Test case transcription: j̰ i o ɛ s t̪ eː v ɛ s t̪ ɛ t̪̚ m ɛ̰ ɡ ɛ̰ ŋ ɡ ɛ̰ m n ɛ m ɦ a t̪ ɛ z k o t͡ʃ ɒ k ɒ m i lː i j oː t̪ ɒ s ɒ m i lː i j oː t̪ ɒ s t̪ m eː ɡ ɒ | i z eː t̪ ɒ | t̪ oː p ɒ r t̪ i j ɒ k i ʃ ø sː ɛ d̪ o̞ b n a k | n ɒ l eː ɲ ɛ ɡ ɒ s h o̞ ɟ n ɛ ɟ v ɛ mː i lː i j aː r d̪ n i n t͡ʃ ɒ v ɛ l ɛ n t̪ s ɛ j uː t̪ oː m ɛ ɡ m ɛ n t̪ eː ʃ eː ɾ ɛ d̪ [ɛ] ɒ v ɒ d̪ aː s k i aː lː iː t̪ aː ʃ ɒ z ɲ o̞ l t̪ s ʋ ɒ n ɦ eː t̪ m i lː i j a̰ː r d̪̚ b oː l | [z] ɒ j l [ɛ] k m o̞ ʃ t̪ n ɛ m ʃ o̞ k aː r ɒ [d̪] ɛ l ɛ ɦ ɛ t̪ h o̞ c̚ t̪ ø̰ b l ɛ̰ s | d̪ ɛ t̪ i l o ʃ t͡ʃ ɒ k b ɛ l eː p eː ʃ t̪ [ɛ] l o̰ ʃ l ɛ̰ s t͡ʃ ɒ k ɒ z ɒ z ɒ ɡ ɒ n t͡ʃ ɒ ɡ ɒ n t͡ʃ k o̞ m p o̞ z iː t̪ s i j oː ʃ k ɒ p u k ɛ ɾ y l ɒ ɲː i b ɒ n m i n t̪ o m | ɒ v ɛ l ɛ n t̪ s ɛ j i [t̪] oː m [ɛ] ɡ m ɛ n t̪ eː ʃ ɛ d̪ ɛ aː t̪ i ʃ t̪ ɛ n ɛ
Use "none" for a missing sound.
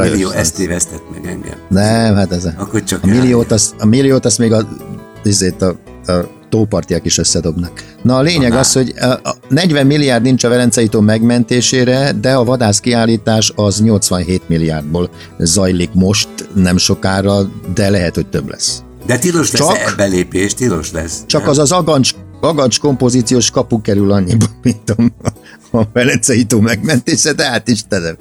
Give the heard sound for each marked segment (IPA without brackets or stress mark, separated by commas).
ɛ, z, i, d̪, i, t̪, ɛ